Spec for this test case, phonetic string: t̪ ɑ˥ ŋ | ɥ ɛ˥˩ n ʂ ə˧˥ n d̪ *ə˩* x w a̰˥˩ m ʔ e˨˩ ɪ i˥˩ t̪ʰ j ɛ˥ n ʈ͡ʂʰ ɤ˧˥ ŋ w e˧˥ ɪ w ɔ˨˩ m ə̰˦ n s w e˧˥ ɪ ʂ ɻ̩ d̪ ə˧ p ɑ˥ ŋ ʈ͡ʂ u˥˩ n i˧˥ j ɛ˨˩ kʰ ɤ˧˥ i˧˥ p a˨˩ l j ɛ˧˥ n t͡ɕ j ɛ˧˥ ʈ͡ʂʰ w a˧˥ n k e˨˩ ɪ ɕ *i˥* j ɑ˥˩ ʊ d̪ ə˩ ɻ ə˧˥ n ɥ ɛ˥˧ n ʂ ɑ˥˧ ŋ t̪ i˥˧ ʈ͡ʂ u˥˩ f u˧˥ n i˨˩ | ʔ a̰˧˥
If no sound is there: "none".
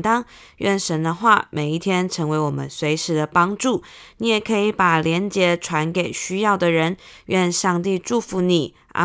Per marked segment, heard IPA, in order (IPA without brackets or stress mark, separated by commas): ə˧, y˥